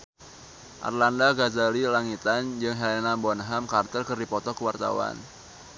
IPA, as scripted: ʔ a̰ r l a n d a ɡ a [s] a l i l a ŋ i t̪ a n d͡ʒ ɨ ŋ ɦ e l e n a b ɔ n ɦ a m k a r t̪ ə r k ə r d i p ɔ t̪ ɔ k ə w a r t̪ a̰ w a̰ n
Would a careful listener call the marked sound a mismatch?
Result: yes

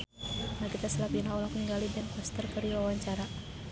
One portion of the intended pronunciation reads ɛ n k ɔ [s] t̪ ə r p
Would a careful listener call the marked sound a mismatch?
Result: no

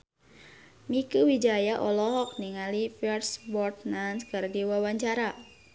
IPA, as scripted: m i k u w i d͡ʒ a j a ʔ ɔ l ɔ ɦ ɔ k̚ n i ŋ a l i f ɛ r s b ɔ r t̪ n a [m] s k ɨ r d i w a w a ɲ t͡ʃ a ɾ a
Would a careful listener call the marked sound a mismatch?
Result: yes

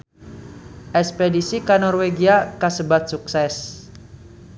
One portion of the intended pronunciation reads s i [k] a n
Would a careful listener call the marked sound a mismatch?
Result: no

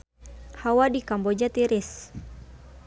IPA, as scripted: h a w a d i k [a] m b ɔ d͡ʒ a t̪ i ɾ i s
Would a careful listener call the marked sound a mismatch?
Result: no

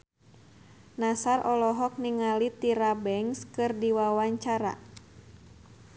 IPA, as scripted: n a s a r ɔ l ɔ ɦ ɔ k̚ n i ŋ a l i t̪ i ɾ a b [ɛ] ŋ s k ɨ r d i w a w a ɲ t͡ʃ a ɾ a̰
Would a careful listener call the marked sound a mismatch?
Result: no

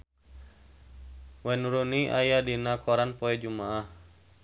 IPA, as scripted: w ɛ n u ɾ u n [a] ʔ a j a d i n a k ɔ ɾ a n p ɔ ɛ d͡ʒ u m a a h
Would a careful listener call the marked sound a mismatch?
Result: yes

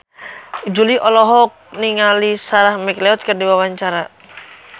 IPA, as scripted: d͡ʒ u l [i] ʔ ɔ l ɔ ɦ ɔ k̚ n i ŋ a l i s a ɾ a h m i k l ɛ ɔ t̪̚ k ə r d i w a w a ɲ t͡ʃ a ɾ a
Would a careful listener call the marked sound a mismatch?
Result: no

